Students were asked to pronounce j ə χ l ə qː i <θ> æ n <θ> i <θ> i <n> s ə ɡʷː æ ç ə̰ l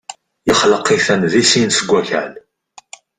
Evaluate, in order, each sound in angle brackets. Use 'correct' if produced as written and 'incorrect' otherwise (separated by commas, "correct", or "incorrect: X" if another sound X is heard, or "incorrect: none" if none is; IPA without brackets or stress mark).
correct, incorrect: ð, incorrect: s, correct